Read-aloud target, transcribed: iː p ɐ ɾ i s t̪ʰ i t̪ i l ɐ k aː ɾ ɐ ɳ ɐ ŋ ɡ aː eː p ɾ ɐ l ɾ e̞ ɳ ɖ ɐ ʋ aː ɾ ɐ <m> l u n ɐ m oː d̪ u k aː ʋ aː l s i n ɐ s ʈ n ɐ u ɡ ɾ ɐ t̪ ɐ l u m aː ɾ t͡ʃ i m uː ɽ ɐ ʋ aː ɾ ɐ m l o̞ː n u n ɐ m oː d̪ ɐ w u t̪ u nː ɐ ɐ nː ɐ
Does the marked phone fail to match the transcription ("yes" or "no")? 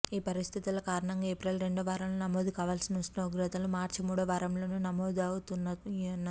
no